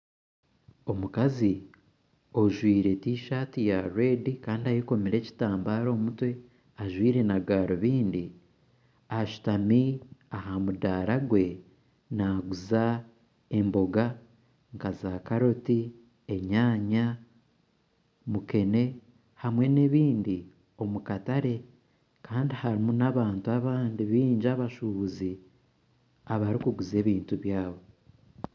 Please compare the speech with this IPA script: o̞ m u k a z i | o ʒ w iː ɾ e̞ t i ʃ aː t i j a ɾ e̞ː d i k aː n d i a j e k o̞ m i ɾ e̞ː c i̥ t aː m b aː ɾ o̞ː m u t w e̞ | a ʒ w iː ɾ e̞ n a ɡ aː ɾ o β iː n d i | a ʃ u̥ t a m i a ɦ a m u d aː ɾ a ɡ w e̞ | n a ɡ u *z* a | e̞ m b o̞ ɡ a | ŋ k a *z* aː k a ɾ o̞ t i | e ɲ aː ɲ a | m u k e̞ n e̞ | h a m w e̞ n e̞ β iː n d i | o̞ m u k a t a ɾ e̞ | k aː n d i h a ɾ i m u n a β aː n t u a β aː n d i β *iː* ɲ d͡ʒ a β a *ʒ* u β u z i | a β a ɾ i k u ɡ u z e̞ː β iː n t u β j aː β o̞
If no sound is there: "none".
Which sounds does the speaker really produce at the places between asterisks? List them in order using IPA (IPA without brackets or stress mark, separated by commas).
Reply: z, z, iː, ʃ